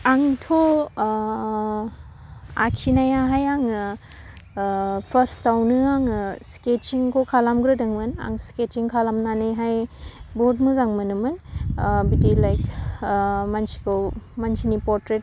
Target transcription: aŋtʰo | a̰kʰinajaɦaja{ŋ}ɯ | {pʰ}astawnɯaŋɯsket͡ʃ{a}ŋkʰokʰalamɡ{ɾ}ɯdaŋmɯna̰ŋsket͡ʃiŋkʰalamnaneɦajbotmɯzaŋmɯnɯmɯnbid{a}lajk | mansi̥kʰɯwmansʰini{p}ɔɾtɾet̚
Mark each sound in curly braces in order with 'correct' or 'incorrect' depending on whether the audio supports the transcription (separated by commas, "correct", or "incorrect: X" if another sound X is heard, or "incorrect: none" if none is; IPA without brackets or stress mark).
correct, correct, incorrect: i, correct, incorrect: i, correct